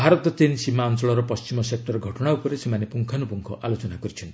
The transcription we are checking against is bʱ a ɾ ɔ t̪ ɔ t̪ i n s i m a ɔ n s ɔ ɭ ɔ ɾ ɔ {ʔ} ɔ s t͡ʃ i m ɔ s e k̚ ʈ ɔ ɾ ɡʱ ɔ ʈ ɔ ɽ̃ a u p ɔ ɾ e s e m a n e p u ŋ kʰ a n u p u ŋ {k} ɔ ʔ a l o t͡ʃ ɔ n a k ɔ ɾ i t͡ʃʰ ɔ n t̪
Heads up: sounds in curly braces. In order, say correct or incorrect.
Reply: incorrect: p, incorrect: kʰ

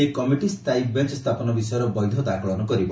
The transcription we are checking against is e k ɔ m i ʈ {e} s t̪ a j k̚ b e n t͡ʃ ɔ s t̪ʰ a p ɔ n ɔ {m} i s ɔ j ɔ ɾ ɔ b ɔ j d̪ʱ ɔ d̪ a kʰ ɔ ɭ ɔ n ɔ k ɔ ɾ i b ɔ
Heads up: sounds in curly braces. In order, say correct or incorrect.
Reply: incorrect: i, incorrect: b

